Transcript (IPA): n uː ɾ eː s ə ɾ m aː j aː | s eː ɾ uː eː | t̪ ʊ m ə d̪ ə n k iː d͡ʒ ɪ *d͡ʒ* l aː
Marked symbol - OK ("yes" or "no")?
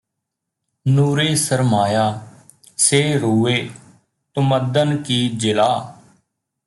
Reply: no